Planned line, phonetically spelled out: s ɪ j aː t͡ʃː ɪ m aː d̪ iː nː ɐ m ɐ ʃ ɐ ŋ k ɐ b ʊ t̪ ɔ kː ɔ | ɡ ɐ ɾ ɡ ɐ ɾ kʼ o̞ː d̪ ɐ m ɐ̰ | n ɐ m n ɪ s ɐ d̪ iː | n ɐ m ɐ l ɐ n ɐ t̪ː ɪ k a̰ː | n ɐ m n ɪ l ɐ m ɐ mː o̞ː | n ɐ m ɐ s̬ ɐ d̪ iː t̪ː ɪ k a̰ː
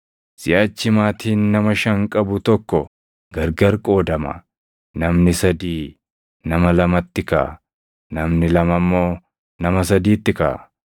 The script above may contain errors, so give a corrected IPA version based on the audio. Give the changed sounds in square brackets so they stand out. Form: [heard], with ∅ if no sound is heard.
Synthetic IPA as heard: s ɪ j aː t͡ʃː ɪ m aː [t̪] iː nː ɐ m ɐ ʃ ɐ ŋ [kʼ] ɐ b ʊ t̪ ɔ kː ɔ | ɡ ɐ ɾ ɡ ɐ ɾ kʼ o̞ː d̪ ɐ m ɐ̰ | n ɐ m n ɪ s ɐ d̪ iː | n ɐ m ɐ l ɐ [m] ɐ t̪ː ɪ k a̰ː | n ɐ m n ɪ l ɐ m ɐ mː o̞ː | n ɐ m ɐ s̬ ɐ d̪ iː t̪ː ɪ k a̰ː